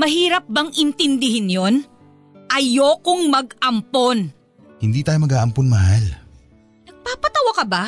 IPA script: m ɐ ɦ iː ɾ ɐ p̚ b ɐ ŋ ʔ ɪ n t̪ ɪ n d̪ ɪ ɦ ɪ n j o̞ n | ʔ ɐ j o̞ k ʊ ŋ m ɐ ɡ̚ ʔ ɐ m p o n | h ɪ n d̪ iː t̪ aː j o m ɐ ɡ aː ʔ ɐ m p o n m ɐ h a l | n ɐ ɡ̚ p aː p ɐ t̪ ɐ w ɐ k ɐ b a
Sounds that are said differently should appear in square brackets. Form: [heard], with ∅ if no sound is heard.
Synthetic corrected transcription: m ɐ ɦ iː ɾ ɐ p̚ b ɐ ŋ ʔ ɪ n t̪ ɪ n d̪ ɪ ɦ ɪ n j o̞ n | ʔ ɐ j o̞ k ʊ ŋ m ɐ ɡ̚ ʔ ɐ m p o n | h ɪ n d̪ iː t̪ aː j o m ɐ ɡ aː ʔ ɐ m p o n m ɐ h a l | n ɐ ɡ̚ p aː p ɐ t̪ ɐ w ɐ k ɐ b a